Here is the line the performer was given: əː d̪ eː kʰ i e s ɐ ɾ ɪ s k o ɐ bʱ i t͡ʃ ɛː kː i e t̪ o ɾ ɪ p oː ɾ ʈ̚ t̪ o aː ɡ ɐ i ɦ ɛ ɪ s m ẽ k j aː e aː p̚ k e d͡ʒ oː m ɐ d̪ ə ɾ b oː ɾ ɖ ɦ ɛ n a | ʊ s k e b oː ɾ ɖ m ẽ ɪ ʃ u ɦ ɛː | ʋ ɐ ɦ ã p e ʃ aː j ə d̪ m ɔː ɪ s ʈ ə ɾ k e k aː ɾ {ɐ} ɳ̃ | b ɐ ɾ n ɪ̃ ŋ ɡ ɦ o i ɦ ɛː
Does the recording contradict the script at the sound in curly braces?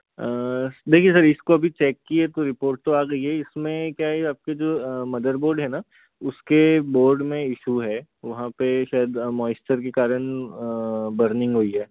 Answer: yes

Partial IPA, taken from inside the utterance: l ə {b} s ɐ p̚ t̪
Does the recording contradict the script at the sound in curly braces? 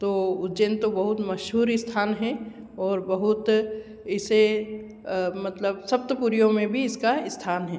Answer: no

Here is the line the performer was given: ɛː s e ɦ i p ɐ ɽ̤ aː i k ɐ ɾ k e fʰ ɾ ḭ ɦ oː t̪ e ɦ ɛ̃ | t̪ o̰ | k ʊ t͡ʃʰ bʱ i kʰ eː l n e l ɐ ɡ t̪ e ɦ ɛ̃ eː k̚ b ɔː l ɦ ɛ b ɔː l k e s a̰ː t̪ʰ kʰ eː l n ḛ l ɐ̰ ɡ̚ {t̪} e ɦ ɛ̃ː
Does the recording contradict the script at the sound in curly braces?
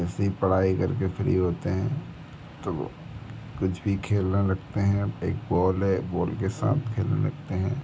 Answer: no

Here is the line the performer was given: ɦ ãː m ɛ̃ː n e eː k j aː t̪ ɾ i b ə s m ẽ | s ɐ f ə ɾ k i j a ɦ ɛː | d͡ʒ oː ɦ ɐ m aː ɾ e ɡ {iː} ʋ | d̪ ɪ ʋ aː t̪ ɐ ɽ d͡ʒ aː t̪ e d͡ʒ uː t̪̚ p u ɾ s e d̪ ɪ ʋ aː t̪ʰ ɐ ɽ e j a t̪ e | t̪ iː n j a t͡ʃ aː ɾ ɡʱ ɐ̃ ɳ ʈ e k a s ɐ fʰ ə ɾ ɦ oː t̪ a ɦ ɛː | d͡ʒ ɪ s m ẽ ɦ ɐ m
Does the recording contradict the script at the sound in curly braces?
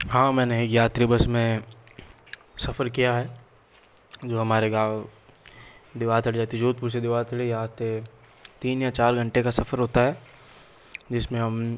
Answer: yes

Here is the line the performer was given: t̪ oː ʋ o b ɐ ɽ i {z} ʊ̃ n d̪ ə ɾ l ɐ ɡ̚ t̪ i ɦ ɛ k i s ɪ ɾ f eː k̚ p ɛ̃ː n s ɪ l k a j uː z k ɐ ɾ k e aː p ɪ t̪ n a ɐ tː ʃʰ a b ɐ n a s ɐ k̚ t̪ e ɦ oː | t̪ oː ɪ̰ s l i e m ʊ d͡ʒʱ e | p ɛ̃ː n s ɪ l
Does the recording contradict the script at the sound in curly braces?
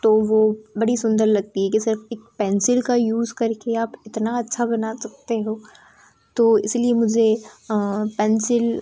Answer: yes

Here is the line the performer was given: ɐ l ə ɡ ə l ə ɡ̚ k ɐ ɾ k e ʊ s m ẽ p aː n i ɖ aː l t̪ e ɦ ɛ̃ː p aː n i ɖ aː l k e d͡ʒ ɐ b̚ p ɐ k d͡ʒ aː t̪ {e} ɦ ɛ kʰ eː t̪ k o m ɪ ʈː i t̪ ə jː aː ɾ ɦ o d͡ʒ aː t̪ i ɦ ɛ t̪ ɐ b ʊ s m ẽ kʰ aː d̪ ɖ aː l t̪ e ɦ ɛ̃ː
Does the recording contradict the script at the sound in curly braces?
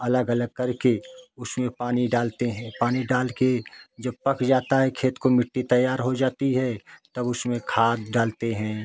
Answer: yes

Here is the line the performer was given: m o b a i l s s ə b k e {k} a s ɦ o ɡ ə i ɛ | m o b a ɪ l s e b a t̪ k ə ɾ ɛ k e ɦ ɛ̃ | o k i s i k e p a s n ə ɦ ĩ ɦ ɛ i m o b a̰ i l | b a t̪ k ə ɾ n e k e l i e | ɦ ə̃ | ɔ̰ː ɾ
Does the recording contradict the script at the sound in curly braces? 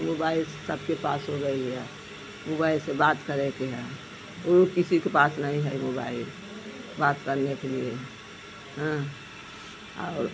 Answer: yes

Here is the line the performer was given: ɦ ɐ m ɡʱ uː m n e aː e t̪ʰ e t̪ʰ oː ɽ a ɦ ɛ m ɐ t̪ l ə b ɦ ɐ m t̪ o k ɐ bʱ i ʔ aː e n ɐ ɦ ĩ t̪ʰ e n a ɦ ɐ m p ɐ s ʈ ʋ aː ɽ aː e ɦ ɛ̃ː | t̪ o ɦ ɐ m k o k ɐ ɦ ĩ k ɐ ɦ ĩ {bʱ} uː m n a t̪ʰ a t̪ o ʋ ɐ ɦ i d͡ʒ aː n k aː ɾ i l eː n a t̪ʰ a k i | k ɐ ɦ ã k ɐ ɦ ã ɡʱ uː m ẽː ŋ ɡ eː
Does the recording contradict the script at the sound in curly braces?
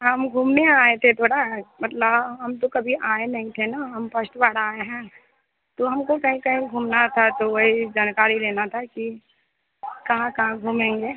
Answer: yes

